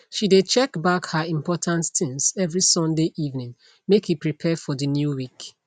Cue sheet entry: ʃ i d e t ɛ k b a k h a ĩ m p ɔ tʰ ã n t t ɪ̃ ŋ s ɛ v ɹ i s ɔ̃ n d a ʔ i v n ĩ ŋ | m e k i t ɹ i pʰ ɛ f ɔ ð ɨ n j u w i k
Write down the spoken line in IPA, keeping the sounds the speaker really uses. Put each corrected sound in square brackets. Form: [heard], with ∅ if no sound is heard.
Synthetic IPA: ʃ i d e [t͡ʃ] ɛ k b a k h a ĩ m p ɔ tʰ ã n t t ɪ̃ ŋ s ɛ v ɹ i s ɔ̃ n d [e] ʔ i v n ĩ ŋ | m e k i [p] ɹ i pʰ ɛ f ɔ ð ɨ n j u w i k